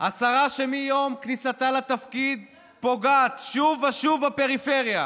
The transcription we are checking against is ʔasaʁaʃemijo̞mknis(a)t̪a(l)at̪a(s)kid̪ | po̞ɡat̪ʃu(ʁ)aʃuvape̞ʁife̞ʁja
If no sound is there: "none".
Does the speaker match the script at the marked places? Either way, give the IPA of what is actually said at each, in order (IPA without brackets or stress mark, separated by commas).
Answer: a, l, f, v